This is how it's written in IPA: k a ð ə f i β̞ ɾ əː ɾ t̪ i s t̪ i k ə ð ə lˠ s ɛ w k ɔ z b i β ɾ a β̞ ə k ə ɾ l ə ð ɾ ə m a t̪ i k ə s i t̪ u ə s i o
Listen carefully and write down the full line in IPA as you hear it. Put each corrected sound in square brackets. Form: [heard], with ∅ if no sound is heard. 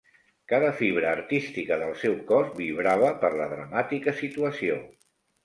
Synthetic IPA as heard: k a ð ə f i β̞ ɾ əː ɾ t̪ i s t̪ i k ə ð ə lˠ s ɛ w k ɔ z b i β ɾ a β̞ ə [p] ə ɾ l ə ð ɾ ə m a t̪ i k ə s i t̪ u ə s i o